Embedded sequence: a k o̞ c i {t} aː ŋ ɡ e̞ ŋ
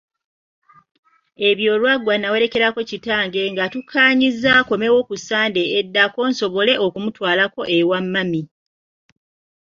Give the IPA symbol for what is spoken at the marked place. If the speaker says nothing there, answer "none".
t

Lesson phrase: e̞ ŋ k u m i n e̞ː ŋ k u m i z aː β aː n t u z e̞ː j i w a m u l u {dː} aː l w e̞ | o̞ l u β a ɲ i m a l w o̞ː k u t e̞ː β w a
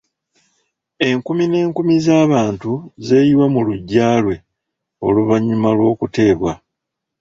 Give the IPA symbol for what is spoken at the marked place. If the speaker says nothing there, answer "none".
ɟː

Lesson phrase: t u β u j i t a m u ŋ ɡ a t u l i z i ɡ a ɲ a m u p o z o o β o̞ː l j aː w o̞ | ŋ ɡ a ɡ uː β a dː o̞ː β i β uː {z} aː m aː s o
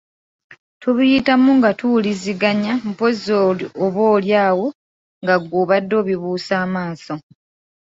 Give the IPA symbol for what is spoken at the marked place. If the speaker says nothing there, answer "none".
s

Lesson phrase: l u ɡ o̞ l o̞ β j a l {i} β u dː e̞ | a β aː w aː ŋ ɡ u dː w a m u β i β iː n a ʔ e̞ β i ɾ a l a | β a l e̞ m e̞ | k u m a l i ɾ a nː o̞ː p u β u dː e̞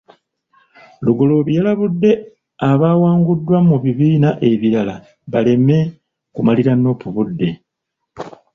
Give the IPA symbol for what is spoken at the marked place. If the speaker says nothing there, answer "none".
a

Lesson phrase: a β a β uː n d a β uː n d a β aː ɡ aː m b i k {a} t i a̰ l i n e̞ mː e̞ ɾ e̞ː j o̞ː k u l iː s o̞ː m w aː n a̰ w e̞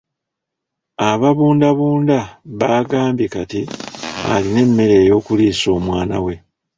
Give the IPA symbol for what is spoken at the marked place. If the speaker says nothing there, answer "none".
a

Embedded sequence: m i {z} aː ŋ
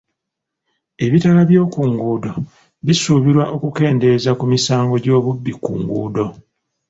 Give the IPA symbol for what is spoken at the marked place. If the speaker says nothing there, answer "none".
s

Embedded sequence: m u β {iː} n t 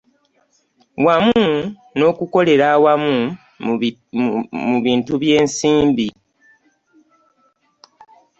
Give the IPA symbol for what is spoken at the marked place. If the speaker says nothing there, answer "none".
iː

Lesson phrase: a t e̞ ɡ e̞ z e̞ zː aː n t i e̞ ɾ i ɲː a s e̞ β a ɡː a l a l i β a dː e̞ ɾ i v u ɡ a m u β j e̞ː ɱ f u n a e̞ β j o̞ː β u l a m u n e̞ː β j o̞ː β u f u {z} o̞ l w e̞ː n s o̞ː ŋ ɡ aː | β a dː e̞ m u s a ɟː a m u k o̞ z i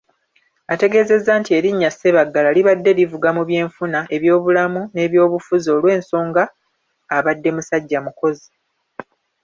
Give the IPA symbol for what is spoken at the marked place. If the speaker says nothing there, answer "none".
z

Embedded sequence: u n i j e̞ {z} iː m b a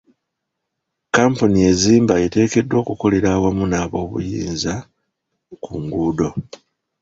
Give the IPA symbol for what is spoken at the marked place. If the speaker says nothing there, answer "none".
z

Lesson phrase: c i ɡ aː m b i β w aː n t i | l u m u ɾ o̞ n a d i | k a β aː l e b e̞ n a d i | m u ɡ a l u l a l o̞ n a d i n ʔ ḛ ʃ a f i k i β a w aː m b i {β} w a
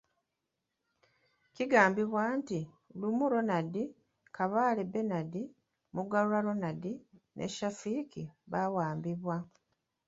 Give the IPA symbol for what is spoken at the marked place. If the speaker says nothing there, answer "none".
β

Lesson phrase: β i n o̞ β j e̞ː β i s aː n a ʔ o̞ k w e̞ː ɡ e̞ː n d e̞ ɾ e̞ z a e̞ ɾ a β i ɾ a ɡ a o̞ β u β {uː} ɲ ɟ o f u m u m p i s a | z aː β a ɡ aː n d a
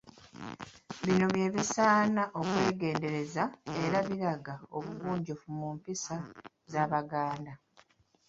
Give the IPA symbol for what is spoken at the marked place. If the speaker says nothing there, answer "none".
uː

